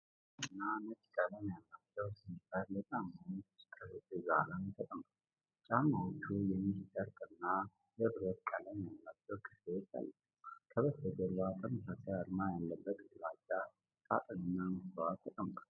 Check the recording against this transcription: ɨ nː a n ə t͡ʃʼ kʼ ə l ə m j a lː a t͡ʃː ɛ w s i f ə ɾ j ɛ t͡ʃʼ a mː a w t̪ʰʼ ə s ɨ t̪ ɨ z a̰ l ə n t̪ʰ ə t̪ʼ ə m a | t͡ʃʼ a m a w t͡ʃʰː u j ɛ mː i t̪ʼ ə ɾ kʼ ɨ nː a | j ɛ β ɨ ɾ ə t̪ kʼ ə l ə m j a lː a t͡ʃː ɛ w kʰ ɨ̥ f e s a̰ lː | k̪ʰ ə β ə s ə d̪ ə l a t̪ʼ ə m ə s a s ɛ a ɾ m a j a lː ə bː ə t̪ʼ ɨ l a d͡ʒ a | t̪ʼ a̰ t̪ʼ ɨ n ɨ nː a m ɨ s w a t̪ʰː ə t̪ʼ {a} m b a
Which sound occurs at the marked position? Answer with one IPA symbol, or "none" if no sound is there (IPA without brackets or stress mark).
ə